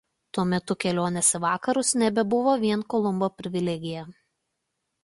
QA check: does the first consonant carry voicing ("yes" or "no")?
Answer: no